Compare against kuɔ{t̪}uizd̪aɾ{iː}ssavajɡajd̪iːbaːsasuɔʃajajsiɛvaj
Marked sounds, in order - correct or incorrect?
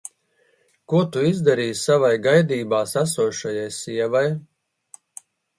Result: correct, correct

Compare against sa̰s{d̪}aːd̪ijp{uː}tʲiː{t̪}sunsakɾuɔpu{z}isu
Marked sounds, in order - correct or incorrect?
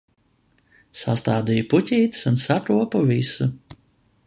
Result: incorrect: t̪, incorrect: u, correct, incorrect: v

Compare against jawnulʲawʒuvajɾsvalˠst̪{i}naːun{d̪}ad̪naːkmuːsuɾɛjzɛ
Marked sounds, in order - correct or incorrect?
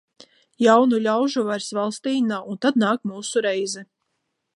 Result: incorrect: iː, incorrect: t̪

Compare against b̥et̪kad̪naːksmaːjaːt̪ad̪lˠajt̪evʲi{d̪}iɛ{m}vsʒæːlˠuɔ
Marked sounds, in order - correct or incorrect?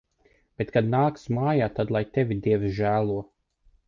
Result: correct, incorrect: none

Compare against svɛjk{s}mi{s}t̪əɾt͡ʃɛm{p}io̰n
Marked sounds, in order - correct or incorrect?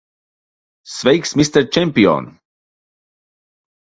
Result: correct, correct, correct

